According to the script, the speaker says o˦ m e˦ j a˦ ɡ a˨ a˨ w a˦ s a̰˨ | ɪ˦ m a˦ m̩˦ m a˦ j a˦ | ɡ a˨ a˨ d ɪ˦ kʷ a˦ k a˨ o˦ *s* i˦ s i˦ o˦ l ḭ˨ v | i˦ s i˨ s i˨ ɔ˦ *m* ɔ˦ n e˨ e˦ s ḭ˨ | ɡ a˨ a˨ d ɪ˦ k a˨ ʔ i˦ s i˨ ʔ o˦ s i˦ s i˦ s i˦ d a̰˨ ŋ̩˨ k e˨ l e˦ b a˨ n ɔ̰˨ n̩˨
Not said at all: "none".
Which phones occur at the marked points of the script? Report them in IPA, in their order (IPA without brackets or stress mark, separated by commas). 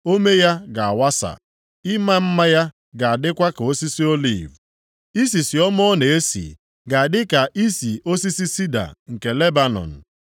s, m